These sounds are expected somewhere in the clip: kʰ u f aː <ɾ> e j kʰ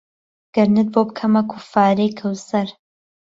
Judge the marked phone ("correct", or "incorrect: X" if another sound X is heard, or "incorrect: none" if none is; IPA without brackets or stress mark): correct